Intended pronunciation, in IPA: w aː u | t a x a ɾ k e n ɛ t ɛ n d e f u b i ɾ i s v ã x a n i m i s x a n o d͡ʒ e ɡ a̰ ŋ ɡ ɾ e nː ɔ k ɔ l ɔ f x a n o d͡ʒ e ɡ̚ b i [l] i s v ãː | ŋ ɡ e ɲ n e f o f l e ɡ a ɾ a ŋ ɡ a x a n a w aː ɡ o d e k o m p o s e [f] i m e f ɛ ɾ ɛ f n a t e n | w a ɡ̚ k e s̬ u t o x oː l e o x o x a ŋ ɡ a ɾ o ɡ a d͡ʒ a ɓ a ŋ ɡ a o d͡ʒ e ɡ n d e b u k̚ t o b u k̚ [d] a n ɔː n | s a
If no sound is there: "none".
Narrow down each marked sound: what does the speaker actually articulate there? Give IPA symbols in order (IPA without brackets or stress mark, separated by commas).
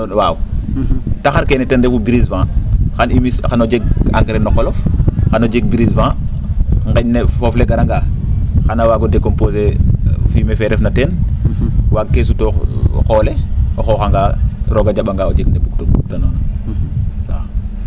ɾ, f, t